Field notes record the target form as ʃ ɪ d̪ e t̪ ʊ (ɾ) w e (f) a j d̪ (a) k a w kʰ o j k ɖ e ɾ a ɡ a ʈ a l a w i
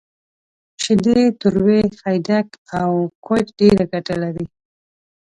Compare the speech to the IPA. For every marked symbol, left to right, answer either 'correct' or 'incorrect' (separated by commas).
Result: correct, incorrect, correct